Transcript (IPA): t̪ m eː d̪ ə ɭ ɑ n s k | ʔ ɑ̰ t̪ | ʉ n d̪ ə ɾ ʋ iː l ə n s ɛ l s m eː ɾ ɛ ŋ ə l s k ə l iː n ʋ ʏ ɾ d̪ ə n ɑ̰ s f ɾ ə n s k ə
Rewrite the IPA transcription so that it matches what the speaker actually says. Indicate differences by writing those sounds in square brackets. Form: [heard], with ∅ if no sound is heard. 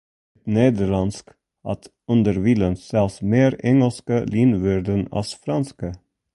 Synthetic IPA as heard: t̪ [n] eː d̪ ə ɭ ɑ n s k | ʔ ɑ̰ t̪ | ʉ n d̪ ə ɾ ʋ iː l ə n s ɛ l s m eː ɾ ɛ ŋ ə l s k ə l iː n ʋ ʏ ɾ d̪ ə n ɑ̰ s f ɾ [ɑ] n s k ə